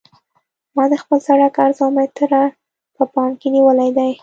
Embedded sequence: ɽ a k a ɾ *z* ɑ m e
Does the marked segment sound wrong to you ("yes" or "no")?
no